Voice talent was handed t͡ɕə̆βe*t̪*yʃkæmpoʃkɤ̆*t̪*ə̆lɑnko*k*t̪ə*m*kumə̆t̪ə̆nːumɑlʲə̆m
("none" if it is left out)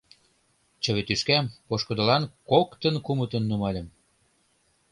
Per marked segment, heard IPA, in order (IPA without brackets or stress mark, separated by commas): t̪, d̪, k, n